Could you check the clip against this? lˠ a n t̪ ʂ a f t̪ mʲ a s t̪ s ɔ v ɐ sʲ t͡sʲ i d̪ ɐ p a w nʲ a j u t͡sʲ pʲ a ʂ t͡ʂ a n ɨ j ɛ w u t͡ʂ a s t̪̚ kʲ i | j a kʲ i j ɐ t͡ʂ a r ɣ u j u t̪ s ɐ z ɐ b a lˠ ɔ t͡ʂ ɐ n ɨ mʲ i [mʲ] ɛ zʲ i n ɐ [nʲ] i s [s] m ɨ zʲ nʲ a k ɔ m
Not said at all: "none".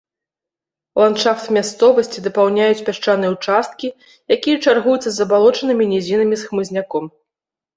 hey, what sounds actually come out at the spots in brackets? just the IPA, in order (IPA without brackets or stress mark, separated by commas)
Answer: nʲ, mʲ, x